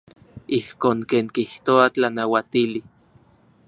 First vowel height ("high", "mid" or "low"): high